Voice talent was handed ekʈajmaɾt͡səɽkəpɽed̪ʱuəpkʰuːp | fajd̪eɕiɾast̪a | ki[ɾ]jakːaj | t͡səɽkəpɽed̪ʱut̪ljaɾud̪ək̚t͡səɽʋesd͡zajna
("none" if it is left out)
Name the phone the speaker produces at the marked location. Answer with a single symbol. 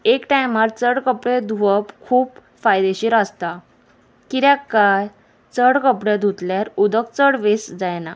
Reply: ɾ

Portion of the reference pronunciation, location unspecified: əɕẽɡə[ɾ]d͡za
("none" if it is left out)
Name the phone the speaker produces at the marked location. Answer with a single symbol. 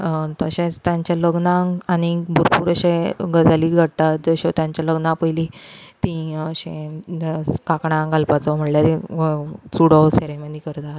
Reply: none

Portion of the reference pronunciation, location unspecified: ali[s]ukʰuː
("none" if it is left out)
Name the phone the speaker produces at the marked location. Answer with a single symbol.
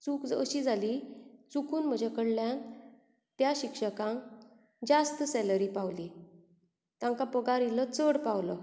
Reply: t͡s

